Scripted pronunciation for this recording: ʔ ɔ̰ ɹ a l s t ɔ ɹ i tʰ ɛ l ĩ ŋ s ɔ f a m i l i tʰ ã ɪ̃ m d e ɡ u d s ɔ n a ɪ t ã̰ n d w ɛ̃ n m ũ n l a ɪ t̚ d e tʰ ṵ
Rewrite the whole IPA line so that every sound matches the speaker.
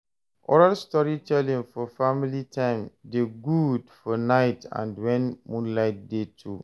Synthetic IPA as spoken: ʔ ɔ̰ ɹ a l s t ɔ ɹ i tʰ ɛ l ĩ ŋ f ɔ f a m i l i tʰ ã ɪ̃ m d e ɡ u d f ɔ n a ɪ t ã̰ n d w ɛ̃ n m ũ n l a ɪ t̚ d e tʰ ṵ